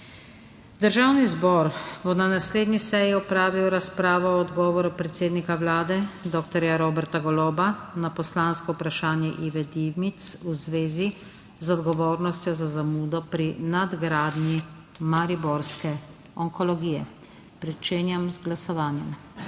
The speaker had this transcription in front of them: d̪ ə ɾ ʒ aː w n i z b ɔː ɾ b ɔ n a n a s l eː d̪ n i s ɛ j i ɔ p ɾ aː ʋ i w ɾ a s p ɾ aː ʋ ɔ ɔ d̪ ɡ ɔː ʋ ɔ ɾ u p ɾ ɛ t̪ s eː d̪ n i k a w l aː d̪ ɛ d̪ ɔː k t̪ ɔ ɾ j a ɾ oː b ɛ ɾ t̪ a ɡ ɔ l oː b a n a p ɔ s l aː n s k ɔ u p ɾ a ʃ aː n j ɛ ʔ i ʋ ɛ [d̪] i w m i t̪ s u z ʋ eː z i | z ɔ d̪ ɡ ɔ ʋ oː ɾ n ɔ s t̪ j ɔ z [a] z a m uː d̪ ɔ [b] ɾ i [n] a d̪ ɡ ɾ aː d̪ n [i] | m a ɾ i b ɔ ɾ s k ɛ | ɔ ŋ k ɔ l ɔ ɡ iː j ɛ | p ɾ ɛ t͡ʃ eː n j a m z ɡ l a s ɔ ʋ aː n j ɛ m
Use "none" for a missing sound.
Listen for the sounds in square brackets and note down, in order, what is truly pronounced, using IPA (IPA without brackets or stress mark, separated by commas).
d̪, a, p, n, i